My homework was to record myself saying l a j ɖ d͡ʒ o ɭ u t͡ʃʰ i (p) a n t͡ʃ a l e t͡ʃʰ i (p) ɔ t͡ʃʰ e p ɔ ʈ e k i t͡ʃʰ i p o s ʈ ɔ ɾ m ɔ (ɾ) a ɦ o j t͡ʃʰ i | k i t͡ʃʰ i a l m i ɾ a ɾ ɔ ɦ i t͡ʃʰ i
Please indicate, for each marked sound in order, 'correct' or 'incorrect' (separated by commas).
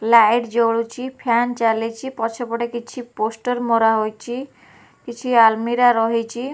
incorrect, correct, correct